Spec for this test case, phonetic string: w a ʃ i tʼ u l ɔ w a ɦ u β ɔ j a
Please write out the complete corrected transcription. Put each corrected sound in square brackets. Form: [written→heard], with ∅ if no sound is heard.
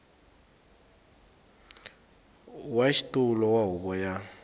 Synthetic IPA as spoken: w a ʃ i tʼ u l ɔ w a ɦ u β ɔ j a